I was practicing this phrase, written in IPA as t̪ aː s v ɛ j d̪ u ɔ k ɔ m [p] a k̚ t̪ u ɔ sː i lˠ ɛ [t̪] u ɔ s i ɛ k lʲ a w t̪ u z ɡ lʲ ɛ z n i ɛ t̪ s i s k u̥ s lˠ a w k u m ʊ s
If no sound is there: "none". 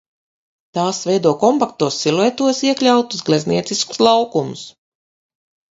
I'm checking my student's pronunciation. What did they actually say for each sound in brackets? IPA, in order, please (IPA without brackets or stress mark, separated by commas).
p, t̪